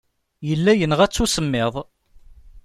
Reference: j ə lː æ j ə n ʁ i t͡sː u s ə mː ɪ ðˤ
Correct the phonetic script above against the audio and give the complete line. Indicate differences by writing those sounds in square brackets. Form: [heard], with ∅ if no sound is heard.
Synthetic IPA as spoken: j ə lː æ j ə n ʁ [æ] t͡sː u s ə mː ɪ ðˤ